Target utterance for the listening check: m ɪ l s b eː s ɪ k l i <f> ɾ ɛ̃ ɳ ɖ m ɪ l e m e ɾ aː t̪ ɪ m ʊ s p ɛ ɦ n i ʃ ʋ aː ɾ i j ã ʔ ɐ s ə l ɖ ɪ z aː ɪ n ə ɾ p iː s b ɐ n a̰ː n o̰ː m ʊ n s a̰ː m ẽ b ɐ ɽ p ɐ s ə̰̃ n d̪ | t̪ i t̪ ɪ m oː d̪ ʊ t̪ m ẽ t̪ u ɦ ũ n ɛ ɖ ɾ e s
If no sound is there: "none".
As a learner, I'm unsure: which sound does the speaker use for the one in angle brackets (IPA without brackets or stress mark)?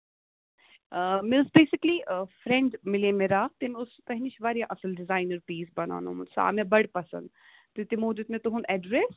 f